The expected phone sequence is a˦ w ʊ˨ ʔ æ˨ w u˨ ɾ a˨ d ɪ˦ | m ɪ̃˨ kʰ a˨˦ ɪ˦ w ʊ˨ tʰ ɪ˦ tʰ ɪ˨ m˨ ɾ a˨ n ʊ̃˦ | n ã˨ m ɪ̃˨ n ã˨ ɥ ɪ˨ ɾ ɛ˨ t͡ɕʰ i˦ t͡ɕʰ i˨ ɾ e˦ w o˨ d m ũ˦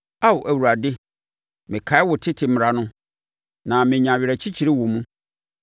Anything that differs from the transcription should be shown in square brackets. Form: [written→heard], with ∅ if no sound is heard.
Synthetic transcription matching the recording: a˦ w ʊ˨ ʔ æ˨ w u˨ ɾ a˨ d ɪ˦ | m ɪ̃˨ kʰ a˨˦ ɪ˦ w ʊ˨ tʰ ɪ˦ tʰ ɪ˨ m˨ ɾ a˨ n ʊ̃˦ | n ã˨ m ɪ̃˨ [n→ɲ] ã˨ ɥ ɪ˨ ɾ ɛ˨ t͡ɕʰ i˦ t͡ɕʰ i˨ ɾ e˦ w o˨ [d→∅] m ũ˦